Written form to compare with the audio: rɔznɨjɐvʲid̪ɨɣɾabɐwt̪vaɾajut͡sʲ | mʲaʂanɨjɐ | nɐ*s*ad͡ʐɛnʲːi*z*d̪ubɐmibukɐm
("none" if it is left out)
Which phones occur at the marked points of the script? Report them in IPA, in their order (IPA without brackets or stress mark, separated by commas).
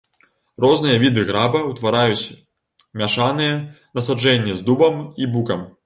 s, z